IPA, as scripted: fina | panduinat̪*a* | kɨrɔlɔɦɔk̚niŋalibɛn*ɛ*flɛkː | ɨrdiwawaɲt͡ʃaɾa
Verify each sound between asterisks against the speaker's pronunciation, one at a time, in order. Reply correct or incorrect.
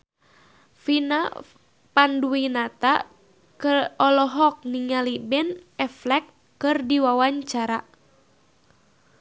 correct, correct

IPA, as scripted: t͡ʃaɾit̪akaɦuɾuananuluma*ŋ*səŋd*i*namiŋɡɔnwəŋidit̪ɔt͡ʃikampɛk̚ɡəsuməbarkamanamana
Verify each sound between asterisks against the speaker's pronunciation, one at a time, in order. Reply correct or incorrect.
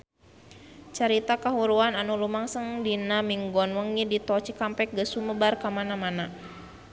correct, correct

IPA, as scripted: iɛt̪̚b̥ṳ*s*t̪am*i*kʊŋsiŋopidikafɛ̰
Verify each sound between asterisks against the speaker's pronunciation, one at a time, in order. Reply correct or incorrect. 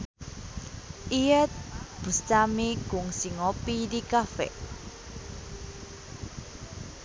correct, correct

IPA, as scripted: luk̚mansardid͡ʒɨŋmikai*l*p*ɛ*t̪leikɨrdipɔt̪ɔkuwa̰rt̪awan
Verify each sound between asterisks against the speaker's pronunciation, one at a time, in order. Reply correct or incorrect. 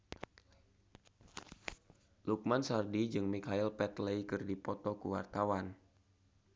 correct, correct

